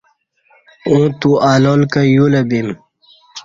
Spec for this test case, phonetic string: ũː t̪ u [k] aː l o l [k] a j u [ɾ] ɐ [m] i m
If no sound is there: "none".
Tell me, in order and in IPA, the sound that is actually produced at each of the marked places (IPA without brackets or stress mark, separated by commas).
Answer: none, k, l, b